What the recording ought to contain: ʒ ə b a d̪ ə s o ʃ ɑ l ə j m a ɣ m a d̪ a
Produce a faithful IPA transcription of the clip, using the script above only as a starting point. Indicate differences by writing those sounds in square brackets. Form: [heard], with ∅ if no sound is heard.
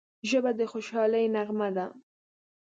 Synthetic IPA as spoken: ʒ ə b a d̪ ə [x] o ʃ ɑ l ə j [n] a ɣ m a d̪ a